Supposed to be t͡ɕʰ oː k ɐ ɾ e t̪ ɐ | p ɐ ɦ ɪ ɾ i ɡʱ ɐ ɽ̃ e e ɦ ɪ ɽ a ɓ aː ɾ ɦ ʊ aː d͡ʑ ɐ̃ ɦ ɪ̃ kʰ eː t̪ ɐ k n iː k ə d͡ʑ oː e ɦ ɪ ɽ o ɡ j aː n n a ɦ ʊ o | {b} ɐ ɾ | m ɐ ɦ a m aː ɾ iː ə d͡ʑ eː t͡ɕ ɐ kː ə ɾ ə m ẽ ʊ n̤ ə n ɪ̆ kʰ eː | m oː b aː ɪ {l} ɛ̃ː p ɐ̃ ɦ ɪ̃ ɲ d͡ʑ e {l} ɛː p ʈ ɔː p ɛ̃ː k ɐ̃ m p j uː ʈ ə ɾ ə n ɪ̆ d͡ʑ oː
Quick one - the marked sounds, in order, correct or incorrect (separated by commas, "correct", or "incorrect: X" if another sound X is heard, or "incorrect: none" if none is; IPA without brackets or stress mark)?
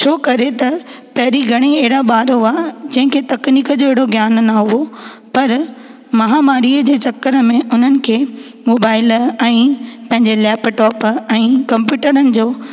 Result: incorrect: p, correct, correct